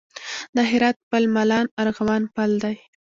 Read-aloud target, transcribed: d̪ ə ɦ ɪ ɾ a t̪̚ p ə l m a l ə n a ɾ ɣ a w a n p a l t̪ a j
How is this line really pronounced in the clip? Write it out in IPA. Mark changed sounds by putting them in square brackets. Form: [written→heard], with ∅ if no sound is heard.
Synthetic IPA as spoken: d̪ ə ɦ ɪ ɾ [a→ɑ] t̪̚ p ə l m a l [ə→ɑ] n a ɾ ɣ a w [a→ɑ] n p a l [t̪→d̪] a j